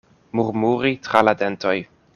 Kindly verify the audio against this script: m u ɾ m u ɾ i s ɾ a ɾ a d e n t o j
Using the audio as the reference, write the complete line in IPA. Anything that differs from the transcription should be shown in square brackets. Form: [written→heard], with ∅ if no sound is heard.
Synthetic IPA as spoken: m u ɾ m u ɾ i [s→t] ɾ a [ɾ→l] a d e n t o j